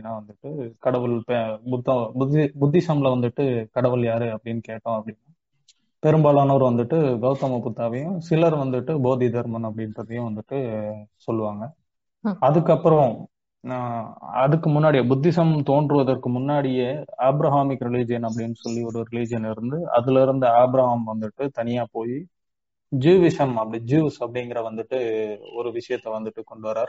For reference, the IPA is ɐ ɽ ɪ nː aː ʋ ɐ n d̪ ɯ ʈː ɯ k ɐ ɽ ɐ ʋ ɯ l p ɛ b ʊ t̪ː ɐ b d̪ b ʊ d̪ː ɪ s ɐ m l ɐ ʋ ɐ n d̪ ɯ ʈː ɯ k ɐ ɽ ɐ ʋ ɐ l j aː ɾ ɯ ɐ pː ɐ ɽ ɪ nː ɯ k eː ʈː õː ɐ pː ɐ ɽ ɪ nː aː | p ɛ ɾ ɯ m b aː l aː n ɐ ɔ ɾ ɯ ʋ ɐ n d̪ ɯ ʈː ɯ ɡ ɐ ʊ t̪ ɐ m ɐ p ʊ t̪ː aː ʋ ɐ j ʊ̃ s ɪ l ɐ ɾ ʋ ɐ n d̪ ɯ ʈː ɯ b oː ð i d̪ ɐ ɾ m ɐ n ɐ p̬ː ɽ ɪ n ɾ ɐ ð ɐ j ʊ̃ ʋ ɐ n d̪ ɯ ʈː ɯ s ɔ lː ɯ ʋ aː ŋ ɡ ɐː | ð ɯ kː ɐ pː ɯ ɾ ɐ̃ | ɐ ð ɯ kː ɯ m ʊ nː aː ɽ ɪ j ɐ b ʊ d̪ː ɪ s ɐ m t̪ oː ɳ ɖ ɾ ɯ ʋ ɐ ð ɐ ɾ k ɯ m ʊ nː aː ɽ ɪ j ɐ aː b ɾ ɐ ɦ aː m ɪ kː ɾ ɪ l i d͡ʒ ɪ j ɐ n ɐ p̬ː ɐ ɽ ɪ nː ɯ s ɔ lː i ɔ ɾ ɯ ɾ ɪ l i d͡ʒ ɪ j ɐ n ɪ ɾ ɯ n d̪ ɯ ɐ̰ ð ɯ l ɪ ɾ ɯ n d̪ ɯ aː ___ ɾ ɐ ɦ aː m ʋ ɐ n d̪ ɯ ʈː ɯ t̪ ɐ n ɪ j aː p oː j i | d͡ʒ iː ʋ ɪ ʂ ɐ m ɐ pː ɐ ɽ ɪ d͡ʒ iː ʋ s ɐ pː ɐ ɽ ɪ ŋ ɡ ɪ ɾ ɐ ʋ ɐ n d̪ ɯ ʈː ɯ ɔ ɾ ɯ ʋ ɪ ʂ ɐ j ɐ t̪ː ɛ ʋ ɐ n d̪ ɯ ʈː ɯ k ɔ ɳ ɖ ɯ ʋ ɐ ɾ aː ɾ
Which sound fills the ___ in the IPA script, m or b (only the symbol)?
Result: b